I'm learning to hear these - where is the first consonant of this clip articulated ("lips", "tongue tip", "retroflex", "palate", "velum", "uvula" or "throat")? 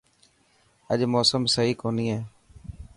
palate